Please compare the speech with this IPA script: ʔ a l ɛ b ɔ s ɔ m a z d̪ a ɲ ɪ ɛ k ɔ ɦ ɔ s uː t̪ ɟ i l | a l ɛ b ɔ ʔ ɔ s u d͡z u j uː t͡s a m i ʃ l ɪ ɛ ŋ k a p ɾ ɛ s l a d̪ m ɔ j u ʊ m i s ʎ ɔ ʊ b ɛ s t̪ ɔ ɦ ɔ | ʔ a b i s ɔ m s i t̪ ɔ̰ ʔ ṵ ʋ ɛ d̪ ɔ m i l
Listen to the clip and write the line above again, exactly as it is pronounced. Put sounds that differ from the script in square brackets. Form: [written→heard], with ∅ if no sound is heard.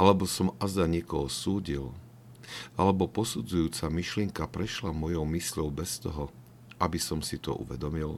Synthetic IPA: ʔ a l ɛ b ɔ s ɔ m a z d̪ a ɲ ɪ ɛ k ɔ ɦ ɔ s uː [t̪→∅] ɟ i l | a l ɛ b ɔ [ʔ→p] ɔ s u d͡z u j uː t͡s a m i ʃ l ɪ ɛ ŋ k a p ɾ ɛ [s→ʃ] l a [d̪→∅] m ɔ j [u→ɔ] ʊ m i s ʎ ɔ ʊ b ɛ s t̪ ɔ ɦ ɔ | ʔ a b i s ɔ m s i t̪ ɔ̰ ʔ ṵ ʋ ɛ d̪ ɔ m i l